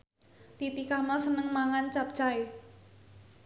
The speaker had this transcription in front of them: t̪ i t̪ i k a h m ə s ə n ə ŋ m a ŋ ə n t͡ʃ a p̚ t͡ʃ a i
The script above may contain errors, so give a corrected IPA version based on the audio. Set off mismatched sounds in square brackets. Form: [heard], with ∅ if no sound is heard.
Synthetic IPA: t̪ i t̪ i k a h m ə s ə n ə ŋ m a ŋ [a] n t͡ʃ a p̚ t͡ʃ a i